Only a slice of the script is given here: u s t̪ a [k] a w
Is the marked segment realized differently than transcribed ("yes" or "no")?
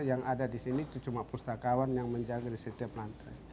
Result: no